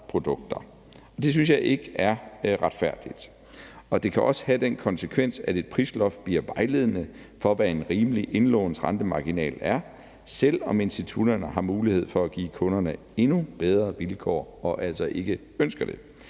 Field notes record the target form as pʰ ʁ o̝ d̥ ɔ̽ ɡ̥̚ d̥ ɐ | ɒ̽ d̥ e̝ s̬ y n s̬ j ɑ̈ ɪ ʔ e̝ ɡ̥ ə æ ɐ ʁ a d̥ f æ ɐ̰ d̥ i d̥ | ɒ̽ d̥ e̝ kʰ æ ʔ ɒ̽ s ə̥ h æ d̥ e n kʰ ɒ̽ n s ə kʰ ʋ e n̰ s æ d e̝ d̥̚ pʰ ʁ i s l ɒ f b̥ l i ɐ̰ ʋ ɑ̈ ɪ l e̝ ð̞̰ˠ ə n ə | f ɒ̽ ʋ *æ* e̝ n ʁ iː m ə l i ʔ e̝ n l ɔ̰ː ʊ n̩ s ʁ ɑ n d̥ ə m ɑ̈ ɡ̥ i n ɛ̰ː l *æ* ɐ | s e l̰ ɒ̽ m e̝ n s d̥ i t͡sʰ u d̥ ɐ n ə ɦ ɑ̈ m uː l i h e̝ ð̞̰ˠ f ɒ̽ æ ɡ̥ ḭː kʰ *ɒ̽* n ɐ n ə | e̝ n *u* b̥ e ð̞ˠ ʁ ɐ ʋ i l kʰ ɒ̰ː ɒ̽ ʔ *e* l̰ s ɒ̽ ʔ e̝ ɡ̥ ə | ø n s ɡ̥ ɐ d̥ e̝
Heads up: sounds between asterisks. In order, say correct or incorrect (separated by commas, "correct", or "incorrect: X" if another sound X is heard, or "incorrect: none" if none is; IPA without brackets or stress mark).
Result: correct, correct, incorrect: ɔ̽, correct, incorrect: æ